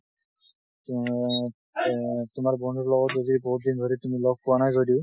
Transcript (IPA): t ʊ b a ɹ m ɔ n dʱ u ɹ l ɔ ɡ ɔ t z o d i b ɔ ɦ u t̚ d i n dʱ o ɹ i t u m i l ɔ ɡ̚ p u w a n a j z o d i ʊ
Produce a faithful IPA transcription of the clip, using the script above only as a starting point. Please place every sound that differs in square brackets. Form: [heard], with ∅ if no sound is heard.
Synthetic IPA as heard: t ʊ [m] a ɹ [b] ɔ n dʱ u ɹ l ɔ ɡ ɔ t z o d i b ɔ ɦ u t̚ d i n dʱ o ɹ i t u m i l ɔ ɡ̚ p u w a n a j z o d i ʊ